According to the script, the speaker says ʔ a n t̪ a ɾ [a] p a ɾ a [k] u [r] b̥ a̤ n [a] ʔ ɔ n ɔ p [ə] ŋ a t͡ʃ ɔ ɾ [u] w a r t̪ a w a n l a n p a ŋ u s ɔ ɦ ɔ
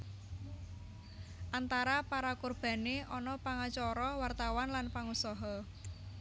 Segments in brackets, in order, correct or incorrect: correct, correct, correct, incorrect, incorrect, incorrect

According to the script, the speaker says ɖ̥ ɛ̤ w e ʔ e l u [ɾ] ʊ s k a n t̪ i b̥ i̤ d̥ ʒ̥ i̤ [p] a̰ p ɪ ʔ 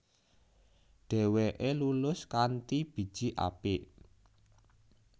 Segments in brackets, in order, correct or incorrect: incorrect, incorrect

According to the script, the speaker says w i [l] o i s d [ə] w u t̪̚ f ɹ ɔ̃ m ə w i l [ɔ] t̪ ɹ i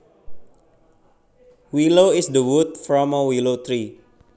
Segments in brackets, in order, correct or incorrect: correct, correct, incorrect

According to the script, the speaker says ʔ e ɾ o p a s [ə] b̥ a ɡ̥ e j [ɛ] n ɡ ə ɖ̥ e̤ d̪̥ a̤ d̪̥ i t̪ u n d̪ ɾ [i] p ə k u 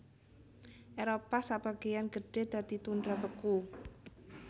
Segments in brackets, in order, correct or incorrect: incorrect, incorrect, incorrect

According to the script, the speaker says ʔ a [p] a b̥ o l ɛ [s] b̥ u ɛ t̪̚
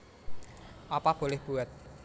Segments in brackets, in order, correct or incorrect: correct, incorrect

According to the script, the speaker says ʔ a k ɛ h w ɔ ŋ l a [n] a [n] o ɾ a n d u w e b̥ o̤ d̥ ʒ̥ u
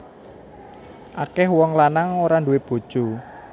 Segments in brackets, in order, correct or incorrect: correct, incorrect

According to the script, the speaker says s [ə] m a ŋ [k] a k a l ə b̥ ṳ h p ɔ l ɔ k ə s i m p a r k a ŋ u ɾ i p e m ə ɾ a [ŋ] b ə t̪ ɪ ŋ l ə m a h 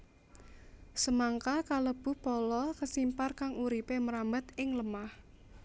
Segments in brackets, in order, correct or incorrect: correct, correct, incorrect

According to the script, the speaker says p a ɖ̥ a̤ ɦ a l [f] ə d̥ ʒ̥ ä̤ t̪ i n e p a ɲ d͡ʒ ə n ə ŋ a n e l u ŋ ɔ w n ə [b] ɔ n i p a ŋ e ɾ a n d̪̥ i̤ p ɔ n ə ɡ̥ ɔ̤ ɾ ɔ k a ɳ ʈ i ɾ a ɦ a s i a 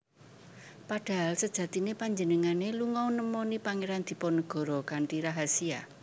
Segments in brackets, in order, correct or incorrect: incorrect, incorrect

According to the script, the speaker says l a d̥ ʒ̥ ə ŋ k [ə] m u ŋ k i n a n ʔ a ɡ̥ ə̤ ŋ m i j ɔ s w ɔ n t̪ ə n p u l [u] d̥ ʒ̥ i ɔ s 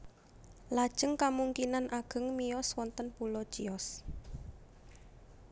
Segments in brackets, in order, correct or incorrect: incorrect, incorrect

